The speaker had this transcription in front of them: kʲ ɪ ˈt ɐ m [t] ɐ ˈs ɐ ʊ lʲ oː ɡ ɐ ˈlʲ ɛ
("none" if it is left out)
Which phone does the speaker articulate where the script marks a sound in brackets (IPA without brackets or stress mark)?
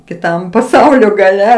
p